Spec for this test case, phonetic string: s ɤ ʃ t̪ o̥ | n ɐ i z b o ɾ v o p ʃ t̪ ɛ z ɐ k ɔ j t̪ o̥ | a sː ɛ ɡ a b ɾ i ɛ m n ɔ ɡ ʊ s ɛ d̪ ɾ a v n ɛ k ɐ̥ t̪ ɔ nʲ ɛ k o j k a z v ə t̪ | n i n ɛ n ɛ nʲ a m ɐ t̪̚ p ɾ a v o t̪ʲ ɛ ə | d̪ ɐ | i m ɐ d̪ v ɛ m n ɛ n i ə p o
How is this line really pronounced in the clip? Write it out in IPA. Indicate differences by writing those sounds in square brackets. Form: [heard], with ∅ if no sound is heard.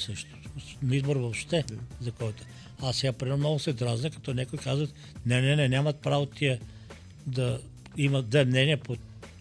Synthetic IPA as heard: s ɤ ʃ t̪ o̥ | n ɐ i z b o ɾ v o p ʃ t̪ ɛ z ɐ k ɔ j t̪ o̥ | a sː ɛ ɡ a [p] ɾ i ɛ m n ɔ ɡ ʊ s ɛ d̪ ɾ a [z] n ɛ k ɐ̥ t̪ ɔ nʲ ɛ k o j k a z v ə t̪ | n [ɛ] n ɛ n ɛ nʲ a m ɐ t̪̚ p ɾ a v o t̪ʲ [i] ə | d̪ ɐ | i m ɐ d̪ v ɛ m n ɛ n i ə p o